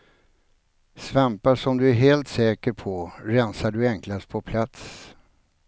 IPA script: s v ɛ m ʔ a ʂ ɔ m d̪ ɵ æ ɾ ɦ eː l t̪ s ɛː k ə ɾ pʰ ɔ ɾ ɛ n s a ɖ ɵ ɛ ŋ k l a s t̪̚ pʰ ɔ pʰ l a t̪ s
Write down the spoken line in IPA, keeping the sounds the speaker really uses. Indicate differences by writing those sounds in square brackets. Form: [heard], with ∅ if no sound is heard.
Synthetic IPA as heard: s v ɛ m [p] a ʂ ɔ m d̪ ɵ æ ɾ ɦ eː l t̪ s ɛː k ə ɾ pʰ ɔ ɾ ɛ n s a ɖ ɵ ɛ ŋ k l a s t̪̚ pʰ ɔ pʰ l a t̪ s